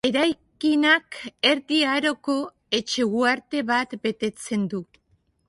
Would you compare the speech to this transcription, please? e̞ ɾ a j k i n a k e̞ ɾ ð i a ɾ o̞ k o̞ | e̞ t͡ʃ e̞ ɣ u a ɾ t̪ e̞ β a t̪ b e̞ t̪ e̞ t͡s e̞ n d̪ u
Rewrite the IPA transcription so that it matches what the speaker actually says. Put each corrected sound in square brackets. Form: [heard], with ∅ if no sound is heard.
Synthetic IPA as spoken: e̞ ɾ a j k i n a k e̞ ɾ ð i a ɾ o̞ k o̞ | e̞ t͡ʃ e̞ ɣ u a ɾ t̪ e̞ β a t̪ b e̞ t̪ e̞ t͡s e̞ n d̪ u